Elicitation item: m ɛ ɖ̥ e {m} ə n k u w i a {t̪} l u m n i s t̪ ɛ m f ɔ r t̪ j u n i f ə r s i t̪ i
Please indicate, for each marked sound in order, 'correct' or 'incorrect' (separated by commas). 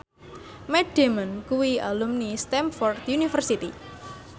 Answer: correct, incorrect